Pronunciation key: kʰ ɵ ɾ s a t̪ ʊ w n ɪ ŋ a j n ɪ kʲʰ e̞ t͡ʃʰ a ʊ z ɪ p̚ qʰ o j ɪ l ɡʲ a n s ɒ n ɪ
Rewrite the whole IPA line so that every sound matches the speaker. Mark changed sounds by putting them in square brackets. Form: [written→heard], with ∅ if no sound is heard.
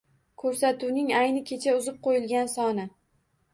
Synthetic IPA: kʰ ɵ ɾ s a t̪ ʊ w n ɪ ŋ a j n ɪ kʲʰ e̞ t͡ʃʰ a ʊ z ɪ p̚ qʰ o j ɪ l ɡʲ a n s ɒ n ɪ

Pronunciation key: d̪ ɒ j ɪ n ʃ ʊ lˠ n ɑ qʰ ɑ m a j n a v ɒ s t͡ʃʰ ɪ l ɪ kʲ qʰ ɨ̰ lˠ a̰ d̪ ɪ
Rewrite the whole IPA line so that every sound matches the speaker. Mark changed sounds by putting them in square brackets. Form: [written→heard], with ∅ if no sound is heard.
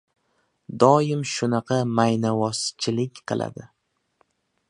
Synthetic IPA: d̪ ɒ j ɪ [n→m] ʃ ʊ [lˠ→∅] n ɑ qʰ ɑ m a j n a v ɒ s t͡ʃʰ ɪ l ɪ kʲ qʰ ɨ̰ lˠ a̰ d̪ ɪ

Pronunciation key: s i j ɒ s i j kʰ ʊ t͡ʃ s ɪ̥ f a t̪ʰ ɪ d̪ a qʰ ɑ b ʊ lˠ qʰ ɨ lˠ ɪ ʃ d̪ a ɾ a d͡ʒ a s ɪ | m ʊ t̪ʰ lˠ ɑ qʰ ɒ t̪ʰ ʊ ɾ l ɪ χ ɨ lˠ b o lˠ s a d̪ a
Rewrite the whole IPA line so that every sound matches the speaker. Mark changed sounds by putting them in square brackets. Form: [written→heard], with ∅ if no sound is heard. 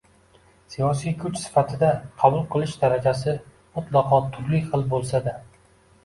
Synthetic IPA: s i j ɒ s i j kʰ ʊ t͡ʃ s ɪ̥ f a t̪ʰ ɪ d̪ a qʰ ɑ b ʊ lˠ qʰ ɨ lˠ ɪ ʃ d̪ a ɾ a d͡ʒ a s ɪ | m ʊ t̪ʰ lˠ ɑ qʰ ɒ t̪ʰ ʊ ɾ l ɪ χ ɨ lˠ b o lˠ s a d̪ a

